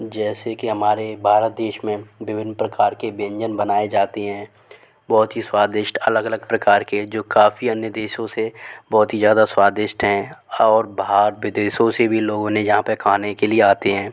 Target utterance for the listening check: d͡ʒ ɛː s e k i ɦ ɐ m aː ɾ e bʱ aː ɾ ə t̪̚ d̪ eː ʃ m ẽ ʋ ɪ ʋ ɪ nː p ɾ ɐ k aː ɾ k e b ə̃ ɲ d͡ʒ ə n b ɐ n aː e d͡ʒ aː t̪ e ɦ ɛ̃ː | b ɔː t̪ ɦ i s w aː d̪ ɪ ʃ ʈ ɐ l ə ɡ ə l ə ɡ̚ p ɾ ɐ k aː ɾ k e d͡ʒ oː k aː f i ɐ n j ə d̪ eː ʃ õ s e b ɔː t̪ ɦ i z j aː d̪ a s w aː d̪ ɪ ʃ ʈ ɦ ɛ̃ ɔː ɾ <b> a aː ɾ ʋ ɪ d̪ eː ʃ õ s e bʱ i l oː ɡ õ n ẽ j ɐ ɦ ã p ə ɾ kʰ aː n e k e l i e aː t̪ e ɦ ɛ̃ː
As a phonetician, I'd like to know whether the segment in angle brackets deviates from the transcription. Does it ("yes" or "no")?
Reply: no